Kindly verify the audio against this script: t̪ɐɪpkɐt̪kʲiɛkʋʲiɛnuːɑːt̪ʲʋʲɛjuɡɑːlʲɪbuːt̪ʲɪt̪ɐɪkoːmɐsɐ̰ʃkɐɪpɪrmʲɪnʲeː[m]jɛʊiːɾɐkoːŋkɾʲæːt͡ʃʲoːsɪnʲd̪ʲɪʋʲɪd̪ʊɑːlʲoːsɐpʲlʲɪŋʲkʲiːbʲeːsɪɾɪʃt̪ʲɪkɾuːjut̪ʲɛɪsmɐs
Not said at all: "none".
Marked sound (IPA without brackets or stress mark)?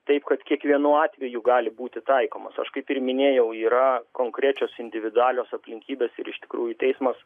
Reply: none